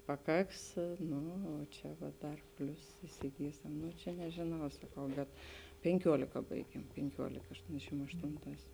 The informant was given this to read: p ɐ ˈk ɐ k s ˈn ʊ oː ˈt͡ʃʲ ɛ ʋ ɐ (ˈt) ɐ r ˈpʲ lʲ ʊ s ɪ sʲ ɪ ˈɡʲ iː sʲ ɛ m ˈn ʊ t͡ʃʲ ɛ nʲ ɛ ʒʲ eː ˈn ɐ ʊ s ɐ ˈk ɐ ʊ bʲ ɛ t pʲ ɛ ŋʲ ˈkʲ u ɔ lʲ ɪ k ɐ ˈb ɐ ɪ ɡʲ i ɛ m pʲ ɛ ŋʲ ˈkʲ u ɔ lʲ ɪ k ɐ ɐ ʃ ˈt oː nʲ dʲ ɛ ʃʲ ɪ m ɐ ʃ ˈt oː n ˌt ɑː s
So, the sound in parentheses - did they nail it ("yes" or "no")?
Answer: no